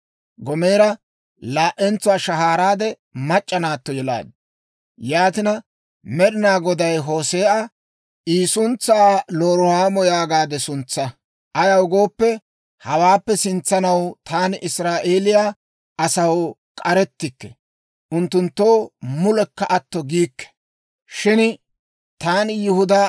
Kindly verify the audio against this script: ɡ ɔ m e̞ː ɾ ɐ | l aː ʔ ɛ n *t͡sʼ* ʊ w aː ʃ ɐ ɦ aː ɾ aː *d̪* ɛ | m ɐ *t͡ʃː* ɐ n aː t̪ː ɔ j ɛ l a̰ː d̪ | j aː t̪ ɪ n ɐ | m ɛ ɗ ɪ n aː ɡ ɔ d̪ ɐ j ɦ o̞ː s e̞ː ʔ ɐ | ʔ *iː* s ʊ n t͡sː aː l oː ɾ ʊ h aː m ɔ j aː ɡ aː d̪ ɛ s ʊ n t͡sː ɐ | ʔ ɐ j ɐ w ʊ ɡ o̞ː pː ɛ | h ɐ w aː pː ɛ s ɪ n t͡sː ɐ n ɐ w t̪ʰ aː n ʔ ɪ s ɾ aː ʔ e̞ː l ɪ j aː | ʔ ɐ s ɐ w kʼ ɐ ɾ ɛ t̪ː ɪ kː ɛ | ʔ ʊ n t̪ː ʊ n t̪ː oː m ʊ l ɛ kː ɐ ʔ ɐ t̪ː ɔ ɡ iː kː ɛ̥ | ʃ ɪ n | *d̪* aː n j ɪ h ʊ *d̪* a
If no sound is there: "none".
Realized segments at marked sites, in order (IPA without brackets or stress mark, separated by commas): t͡s, d̪, t͡ʃʼː, iː, t̪, d̪